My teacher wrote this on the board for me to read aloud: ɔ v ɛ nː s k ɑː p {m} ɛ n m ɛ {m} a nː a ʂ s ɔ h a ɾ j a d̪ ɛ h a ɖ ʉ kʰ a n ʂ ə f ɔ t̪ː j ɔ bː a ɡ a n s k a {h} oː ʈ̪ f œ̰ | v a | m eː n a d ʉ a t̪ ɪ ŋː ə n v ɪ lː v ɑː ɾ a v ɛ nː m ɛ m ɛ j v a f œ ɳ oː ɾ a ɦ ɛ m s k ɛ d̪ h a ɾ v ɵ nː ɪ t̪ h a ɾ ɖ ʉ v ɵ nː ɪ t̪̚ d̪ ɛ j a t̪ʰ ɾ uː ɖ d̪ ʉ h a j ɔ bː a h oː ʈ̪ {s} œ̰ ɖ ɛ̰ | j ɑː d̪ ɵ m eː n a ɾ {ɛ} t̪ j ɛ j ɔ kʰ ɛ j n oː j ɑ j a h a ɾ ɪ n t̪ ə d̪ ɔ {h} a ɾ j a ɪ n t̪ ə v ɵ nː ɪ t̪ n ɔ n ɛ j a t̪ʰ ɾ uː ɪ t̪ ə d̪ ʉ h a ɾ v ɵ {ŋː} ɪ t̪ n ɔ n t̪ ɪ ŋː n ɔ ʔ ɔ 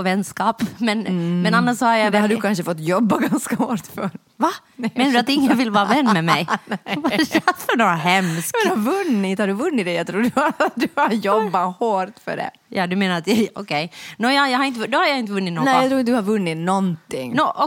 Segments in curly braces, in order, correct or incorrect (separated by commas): correct, incorrect, correct, incorrect, incorrect, correct, incorrect